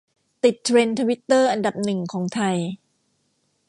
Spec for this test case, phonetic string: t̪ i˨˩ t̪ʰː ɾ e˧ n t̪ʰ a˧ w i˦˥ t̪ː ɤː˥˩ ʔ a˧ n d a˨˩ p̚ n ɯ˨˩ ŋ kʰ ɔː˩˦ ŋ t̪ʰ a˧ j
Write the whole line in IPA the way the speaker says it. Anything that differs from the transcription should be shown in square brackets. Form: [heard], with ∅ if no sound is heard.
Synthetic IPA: t̪ i˨˩ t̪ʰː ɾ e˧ n t̪ʰ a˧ w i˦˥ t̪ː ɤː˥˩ ʔ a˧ n d a˨˩ p̚ n ɯ˨˩ ŋ kʰ ɔː˩˦ ŋ t̪ʰ a˧ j